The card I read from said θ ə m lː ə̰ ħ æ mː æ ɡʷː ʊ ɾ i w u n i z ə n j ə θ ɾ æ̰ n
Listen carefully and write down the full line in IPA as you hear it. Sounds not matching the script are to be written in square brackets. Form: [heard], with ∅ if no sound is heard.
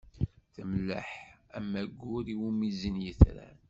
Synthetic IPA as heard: θ ə m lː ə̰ ħ æ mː æ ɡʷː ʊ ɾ i w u [m] i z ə n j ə θ ɾ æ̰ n